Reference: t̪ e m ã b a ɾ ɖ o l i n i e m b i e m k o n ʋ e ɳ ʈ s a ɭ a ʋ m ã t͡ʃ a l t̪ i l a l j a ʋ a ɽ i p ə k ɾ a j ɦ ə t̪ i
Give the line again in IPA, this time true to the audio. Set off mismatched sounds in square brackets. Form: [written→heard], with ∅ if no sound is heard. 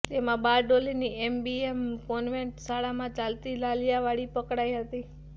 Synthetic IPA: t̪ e m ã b a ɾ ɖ o l i n i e m b i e m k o n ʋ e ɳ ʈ s a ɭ a [ʋ→∅] m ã t͡ʃ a l t̪ i l a l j a ʋ a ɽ i p ə k [ɾ→ɽ] a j ɦ ə t̪ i